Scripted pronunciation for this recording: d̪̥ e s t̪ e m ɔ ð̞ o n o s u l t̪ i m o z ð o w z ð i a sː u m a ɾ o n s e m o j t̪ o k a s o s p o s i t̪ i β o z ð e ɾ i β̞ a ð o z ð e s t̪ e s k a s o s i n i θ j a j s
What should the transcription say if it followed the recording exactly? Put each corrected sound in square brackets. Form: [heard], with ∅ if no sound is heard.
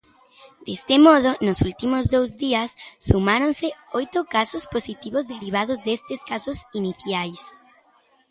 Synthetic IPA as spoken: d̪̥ e s t̪ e m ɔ ð̞ o n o s u l t̪ i m o z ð o w z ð i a sː u m a ɾ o n s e [∅] o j t̪ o k a s o s p o s i t̪ i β o z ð e ɾ i β̞ a ð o z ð e s t̪ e s k a s o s i n i θ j a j s